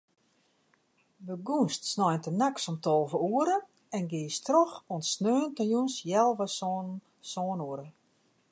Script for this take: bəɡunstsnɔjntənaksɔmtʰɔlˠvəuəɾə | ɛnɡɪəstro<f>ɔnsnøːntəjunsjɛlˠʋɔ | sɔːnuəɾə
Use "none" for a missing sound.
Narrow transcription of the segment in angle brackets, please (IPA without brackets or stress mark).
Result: x